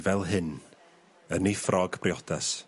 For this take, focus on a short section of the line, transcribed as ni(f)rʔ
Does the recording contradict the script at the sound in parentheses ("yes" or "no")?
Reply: no